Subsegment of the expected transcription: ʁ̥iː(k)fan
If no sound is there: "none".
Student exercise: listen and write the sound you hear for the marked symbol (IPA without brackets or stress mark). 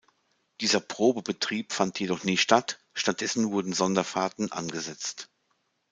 p